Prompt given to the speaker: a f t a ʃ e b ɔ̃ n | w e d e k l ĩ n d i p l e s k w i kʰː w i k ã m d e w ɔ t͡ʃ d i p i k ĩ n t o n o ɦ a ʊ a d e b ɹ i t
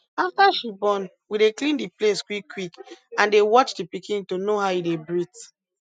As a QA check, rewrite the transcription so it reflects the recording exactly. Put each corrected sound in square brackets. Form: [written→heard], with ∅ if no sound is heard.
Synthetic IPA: a f t a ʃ [e→i] b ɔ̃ n | w [e→i] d e k l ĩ n d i p l e s k w i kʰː w i k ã [m→n] d e w ɔ t͡ʃ d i p i k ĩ n t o n o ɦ a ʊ [a→i] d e b ɹ i t